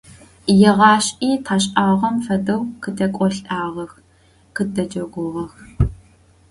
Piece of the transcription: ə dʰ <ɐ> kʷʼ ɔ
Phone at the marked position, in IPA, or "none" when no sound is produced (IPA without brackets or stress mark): ɐ